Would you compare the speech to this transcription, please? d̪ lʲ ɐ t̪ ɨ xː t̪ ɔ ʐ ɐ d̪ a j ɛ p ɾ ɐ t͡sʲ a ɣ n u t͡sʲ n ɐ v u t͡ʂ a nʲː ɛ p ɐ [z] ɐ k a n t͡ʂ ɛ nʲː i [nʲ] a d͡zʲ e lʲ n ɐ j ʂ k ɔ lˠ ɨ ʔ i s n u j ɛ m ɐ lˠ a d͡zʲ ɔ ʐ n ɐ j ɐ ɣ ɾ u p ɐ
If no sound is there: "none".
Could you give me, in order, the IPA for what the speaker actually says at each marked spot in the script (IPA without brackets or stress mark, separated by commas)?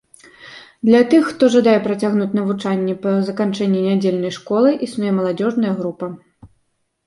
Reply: z, nʲ